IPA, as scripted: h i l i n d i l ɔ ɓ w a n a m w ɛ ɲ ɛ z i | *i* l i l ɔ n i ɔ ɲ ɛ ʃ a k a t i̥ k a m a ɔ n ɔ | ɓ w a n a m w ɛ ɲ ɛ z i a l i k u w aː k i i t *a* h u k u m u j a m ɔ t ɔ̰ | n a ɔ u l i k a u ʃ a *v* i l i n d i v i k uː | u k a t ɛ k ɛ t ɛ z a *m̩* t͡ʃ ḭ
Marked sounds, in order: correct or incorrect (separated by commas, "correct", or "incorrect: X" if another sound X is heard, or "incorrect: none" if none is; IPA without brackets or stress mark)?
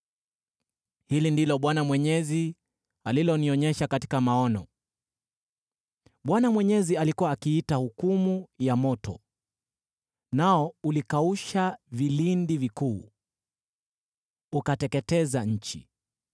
incorrect: a, correct, correct, incorrect: ɲ̩